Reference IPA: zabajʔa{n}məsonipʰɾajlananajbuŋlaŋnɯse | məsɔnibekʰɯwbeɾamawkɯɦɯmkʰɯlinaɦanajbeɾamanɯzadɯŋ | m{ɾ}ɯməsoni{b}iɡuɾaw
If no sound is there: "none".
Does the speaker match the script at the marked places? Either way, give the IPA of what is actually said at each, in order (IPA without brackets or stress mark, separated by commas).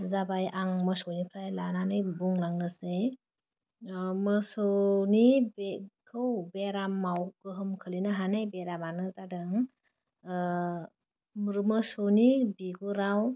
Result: ŋ, ɾ, b